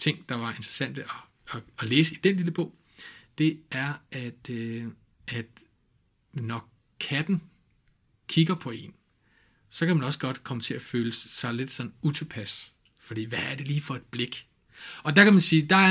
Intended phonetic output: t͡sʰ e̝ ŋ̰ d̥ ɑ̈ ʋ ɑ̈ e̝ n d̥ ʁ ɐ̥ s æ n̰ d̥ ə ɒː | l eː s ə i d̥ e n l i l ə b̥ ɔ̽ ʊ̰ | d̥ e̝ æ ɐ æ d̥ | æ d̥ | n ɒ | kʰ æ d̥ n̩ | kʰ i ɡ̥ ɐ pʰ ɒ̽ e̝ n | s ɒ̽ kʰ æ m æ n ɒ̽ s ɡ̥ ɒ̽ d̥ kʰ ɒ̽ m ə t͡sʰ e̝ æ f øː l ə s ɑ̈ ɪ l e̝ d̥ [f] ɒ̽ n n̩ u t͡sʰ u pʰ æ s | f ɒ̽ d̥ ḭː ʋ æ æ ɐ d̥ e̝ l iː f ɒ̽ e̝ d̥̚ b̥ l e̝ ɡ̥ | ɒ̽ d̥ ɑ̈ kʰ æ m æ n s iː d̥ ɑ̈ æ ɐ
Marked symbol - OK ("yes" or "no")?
no